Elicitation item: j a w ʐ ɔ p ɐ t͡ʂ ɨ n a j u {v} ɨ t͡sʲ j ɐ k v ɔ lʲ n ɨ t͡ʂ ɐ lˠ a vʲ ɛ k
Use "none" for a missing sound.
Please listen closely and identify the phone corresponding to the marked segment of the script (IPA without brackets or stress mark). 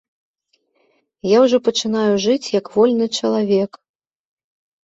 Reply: ʐ